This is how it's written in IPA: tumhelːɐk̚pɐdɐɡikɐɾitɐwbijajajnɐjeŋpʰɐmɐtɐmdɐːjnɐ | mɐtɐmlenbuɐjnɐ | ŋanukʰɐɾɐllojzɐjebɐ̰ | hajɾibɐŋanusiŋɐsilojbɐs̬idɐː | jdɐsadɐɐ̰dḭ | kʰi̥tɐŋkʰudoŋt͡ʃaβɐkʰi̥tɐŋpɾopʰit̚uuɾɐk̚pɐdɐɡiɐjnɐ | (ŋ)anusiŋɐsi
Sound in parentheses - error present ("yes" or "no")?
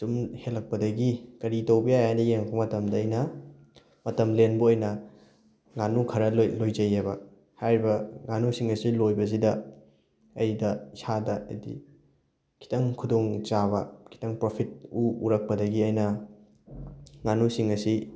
no